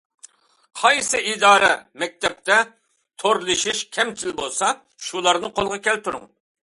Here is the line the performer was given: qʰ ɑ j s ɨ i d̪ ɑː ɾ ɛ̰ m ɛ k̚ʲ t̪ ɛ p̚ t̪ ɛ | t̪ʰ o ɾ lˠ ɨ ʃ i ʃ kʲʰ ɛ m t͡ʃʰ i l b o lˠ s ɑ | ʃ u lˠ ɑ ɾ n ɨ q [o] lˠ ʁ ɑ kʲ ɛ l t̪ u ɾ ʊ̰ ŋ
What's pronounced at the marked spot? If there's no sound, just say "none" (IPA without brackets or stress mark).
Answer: o